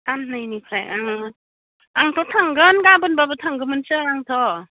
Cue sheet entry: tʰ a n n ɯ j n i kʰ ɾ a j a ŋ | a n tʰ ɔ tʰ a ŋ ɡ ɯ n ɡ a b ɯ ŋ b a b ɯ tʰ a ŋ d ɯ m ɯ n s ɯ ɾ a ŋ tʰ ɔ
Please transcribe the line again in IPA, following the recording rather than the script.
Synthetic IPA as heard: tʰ a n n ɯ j n i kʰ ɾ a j a ŋ | a ŋ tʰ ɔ tʰ a ŋ ɡ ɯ n ɡ a b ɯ n b a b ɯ tʰ a ŋ ɡ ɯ m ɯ n s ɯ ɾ a ŋ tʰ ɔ